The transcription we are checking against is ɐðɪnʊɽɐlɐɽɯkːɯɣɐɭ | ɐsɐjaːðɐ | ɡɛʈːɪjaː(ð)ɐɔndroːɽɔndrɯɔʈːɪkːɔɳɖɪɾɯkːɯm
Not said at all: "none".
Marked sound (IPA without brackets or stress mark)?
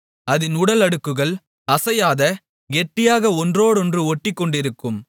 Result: ɣ